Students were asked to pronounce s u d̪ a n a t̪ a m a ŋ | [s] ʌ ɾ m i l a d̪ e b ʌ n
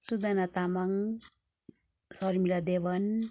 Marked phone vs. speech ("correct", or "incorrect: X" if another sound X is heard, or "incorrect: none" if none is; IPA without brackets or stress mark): correct